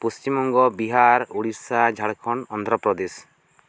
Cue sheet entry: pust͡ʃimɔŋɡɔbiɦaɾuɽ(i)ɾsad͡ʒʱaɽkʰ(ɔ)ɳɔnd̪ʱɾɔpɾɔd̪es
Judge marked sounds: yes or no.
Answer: yes, yes

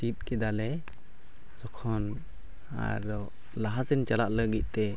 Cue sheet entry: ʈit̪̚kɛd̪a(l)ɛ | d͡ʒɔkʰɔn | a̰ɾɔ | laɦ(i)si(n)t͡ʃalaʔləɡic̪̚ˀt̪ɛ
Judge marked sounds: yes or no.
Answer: yes, no, yes

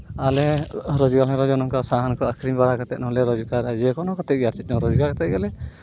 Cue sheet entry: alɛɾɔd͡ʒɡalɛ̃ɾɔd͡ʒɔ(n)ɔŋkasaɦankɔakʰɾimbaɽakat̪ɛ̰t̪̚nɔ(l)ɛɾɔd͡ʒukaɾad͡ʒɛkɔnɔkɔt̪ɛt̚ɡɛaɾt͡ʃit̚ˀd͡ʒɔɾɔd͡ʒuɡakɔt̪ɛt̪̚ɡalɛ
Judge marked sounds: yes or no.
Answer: yes, yes

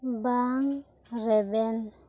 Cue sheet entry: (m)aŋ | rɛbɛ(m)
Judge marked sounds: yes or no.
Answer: no, no

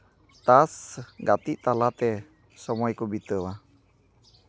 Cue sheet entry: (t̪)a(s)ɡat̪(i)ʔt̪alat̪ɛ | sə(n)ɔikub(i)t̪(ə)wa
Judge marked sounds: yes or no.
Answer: yes, yes, yes, no, yes, yes

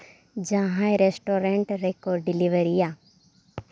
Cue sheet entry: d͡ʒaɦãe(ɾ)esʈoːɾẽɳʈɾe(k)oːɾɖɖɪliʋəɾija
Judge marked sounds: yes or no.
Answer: yes, yes

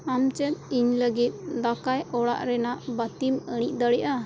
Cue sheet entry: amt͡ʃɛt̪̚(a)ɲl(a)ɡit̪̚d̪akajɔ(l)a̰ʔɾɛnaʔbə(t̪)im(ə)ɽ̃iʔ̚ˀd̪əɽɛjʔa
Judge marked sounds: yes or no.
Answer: no, no, no, yes, yes

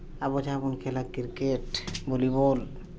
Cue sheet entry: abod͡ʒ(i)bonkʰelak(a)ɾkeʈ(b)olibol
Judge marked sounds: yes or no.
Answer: no, no, yes

